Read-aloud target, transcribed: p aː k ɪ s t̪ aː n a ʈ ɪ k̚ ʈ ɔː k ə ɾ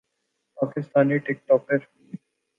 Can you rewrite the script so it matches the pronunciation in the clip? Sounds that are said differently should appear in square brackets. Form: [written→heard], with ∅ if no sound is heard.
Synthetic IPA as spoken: p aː k ɪ s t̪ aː n [a→i] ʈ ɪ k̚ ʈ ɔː k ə ɾ